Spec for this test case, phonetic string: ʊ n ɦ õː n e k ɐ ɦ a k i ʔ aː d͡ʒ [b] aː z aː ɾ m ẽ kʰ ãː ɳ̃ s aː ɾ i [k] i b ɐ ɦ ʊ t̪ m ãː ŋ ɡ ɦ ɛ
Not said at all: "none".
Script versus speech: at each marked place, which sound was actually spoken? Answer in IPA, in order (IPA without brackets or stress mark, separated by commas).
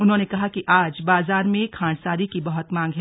b, k